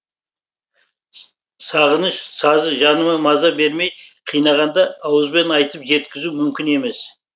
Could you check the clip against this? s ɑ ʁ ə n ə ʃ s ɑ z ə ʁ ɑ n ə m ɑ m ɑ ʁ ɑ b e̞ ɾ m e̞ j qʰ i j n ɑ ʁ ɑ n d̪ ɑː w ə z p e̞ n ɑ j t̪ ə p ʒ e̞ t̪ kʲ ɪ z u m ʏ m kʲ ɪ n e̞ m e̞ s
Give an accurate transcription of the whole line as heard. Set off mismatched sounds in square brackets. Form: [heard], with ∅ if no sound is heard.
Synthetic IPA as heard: s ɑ ʁ ə n ə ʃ s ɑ z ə [ʒ] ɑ n ə m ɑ m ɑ [z] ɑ b e̞ ɾ m e̞ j qʰ i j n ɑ ʁ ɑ n d̪ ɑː w ə z [b] e̞ n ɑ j t̪ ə p ʒ e̞ t̪ kʲ ɪ z u m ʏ m kʲ ɪ n e̞ m e̞ s